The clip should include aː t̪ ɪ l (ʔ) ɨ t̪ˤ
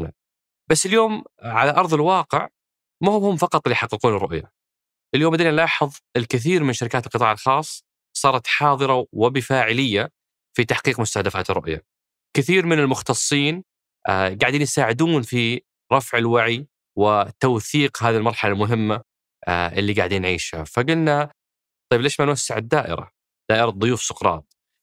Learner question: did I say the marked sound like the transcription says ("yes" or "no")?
no